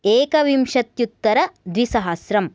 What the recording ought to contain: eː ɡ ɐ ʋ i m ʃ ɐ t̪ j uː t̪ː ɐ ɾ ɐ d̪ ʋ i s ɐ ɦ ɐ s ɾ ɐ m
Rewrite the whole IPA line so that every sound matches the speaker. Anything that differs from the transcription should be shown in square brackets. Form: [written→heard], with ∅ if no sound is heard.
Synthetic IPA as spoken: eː [ɡ→k] ɐ ʋ i m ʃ ɐ t̪ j [uː→u] t̪ː ɐ ɾ ɐ d̪ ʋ i s ɐ ɦ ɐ s ɾ ɐ m